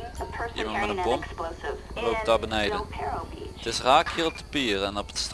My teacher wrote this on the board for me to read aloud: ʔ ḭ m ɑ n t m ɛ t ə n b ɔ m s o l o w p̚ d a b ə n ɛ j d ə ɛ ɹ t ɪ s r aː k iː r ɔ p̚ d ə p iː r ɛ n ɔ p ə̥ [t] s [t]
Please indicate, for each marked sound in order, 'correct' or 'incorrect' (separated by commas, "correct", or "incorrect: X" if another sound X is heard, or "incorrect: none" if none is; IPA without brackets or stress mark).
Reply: correct, correct